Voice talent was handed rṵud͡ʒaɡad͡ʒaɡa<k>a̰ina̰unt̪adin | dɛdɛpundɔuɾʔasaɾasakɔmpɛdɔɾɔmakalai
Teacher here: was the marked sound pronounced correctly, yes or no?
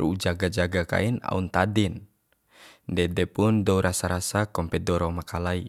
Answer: yes